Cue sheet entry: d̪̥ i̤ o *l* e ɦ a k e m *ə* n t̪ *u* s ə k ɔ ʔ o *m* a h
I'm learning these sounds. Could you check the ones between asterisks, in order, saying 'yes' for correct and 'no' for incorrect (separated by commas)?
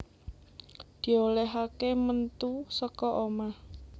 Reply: yes, yes, yes, yes